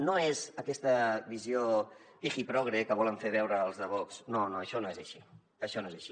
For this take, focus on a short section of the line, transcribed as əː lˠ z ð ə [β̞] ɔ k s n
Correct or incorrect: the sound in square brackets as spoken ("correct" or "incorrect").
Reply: correct